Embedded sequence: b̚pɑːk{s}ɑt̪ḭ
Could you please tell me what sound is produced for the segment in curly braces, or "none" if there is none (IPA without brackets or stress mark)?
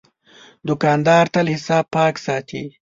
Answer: s